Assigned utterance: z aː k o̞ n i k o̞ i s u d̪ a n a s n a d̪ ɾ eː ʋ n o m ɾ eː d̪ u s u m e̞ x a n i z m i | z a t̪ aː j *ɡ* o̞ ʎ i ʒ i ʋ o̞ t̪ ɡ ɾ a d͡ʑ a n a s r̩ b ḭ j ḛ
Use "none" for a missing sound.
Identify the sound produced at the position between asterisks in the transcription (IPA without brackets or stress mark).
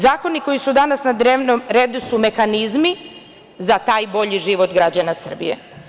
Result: b